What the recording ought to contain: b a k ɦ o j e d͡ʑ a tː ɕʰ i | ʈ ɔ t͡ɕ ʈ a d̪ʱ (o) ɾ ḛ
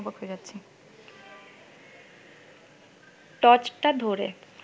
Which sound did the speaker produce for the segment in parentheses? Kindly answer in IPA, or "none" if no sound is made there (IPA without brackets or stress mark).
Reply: o